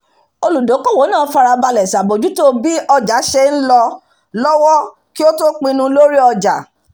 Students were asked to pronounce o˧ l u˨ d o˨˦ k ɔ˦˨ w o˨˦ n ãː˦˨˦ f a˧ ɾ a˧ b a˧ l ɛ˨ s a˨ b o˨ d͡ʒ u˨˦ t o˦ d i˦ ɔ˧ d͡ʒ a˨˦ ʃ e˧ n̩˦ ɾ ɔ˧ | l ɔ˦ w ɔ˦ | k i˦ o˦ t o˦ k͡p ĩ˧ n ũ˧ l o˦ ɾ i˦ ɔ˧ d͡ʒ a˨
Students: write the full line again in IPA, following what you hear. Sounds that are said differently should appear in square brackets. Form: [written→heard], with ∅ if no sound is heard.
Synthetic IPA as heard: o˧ l u˨ d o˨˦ k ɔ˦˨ w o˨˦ n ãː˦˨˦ f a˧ ɾ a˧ b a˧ l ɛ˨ s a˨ b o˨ d͡ʒ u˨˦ t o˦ [d→b] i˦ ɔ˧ d͡ʒ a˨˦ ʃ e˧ n̩˦ [ɾ→l] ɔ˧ | l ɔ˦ w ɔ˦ | k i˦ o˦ t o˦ k͡p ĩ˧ n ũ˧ l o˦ ɾ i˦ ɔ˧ d͡ʒ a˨

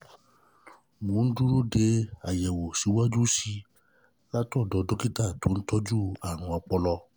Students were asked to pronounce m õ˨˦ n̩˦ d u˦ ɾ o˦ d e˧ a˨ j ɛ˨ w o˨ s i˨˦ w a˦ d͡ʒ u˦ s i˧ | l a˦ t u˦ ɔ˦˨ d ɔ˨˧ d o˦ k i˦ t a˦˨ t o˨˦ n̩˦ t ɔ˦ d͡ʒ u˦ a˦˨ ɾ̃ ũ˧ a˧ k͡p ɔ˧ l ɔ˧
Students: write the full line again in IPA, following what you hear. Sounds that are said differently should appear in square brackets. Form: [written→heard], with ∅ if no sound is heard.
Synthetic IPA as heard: m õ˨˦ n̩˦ d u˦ ɾ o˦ d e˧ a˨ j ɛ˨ w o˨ s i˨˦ w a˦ d͡ʒ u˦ s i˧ | l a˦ t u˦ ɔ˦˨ d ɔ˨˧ d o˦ k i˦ t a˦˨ t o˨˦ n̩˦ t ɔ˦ d͡ʒ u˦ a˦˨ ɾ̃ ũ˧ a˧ k͡p ɔ˧ l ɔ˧

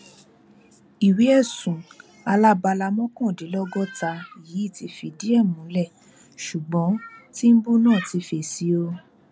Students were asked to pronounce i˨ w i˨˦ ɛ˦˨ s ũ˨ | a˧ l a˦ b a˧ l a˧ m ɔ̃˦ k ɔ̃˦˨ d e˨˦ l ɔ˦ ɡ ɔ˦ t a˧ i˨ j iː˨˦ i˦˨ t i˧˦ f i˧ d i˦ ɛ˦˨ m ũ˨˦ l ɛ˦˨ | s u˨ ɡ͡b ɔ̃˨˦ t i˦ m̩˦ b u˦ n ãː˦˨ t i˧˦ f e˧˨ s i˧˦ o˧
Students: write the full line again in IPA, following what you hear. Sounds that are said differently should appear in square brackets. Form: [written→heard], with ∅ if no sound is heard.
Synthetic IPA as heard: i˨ w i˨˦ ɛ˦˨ s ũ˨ | a˧ l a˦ b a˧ l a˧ m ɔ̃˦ k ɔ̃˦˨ d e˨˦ l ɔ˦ ɡ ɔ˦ t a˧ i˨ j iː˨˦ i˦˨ t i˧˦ f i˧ d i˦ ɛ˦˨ m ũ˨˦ l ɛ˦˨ | [s→ʃ] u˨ ɡ͡b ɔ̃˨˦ t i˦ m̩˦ b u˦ n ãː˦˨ t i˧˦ f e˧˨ s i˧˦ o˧

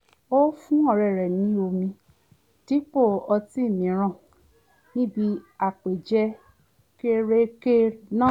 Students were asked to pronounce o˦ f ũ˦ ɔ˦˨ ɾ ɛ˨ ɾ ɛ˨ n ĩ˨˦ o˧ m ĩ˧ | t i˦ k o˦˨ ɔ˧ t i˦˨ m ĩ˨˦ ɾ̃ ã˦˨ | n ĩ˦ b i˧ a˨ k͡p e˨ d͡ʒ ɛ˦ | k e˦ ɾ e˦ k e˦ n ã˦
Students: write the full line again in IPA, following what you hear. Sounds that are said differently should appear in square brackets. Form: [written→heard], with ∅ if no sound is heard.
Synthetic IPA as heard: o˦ f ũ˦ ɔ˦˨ ɾ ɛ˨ ɾ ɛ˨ n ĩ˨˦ o˧ m ĩ˧ | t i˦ [k→k͡p] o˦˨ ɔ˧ t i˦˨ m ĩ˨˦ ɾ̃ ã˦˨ | n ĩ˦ b i˧ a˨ k͡p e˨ d͡ʒ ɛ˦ | k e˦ ɾ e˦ k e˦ n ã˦

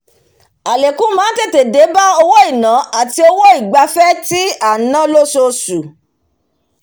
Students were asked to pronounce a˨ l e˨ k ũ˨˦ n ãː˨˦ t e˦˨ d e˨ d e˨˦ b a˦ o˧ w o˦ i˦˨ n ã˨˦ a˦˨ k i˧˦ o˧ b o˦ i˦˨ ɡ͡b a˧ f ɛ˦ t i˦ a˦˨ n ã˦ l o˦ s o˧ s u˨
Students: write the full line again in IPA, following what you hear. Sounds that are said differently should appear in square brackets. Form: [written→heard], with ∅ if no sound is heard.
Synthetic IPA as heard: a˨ l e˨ k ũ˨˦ [n→m] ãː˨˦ t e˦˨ [d→t] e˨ d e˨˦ b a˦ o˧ w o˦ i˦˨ n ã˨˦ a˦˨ [k→t] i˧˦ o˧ [b→w] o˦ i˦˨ ɡ͡b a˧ f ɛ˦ t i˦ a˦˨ n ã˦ l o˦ s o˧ s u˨

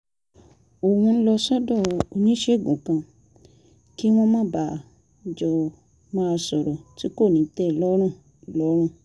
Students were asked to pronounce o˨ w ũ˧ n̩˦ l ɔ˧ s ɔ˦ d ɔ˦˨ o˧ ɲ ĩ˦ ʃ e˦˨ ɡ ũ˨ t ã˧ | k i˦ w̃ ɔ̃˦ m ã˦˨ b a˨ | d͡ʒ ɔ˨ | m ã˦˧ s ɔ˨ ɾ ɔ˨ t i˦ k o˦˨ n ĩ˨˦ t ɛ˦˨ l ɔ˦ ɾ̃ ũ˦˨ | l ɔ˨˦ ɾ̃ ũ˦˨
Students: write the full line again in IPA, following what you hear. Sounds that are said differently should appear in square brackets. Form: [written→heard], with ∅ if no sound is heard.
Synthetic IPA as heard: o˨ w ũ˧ n̩˦ l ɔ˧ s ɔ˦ d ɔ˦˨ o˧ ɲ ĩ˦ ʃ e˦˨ ɡ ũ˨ [t→k] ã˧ | k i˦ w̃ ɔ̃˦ m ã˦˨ b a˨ | d͡ʒ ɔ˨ | m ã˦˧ s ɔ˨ ɾ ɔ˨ t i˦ k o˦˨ n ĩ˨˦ t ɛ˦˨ l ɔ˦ ɾ̃ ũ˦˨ | l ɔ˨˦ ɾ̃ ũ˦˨

